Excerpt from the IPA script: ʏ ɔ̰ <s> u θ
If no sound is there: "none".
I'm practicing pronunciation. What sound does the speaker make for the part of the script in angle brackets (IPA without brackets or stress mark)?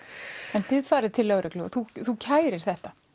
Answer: θ